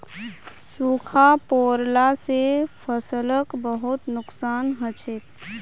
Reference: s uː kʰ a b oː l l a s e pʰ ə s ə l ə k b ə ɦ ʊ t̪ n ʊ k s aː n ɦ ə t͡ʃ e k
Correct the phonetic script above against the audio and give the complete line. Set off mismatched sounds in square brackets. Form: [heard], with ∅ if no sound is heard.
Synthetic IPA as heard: s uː kʰ a [p] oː [ɾ] l a s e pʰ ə s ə l ə k b ə ɦ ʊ t̪ n ʊ k s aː n ɦ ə t͡ʃ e k